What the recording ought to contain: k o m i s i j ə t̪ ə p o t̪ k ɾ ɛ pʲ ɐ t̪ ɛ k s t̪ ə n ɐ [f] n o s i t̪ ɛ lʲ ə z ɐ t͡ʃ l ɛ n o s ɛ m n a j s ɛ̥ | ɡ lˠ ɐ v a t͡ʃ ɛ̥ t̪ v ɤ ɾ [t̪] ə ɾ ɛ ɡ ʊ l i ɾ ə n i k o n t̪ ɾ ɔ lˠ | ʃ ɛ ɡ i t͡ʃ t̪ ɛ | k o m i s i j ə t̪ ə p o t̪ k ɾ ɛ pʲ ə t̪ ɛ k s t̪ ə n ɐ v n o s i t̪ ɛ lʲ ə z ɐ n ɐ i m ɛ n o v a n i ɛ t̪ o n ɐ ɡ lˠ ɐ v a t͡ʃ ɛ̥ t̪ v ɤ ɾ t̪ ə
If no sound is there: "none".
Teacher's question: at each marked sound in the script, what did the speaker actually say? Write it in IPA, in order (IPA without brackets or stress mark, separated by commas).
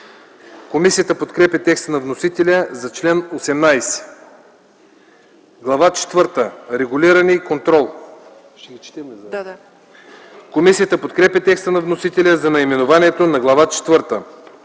v, t̪